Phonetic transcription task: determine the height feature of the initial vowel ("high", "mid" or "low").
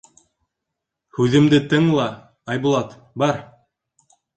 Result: high